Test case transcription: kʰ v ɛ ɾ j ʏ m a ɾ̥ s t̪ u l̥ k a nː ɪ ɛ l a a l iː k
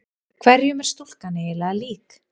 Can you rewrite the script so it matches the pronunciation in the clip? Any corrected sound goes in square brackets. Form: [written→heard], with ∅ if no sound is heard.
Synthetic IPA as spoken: kʰ v ɛ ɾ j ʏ m [a→ɛ] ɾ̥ s t̪ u l̥ k a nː ɪ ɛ l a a l iː k